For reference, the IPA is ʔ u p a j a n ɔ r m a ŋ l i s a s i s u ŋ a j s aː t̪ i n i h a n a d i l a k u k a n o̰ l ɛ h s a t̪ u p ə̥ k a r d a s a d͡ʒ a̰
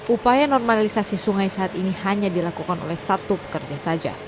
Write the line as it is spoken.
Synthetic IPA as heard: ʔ u p a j a n ɔ r m a l i s a s i s u ŋ a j s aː t̪ i n i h a ɲ a d i l a k u k a n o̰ l ɛ h s a t̪ u p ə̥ k ə r d͡ʒ a s a d͡ʒ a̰